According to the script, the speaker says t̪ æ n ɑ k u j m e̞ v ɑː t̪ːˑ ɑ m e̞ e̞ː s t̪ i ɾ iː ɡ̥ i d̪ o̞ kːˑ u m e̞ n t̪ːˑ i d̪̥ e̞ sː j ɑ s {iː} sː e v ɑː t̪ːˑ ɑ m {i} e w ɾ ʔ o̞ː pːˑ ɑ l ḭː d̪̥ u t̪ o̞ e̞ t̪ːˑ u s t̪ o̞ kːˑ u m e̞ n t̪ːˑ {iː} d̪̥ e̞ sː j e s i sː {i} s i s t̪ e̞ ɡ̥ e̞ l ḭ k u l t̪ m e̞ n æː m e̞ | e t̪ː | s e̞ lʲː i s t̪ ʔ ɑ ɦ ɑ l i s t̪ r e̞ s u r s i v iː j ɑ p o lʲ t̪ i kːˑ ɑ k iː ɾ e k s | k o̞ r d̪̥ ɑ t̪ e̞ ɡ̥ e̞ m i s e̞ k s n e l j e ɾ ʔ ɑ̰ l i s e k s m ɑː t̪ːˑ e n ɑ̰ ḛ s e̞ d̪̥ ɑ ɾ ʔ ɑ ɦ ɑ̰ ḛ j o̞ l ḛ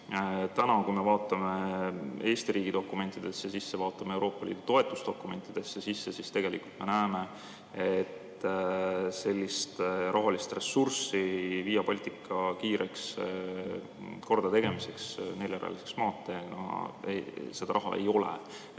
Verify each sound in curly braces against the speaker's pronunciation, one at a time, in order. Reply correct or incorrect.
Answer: incorrect: i, incorrect: e, incorrect: i, incorrect: e

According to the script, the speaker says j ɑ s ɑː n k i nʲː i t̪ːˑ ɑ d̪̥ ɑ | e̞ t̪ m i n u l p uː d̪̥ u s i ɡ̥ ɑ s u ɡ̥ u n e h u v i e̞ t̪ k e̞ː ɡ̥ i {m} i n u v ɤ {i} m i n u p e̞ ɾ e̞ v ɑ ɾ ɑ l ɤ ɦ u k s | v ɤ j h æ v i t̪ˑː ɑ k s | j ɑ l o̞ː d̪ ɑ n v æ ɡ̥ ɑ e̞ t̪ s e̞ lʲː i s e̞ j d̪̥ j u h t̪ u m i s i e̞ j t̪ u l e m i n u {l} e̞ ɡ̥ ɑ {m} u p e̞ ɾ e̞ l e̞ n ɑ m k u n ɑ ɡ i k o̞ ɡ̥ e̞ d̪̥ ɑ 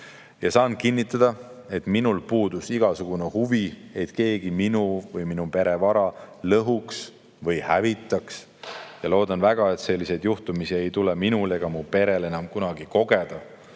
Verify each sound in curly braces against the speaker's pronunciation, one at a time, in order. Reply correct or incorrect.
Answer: correct, incorrect: j, correct, correct

